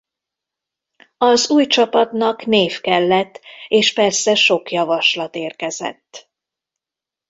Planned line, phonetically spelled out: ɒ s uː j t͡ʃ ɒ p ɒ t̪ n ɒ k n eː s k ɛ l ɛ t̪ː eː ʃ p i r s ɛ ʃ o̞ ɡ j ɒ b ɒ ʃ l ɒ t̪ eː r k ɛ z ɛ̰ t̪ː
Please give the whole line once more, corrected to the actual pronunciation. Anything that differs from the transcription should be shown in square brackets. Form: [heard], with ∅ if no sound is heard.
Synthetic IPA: ɒ [z] uː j t͡ʃ ɒ p ɒ t̪ n ɒ k n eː [f] k ɛ [lː] ɛ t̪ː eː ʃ p [ɛ] r s ɛ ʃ o̞ [k] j ɒ [v] ɒ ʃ l ɒ t̪ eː r k ɛ z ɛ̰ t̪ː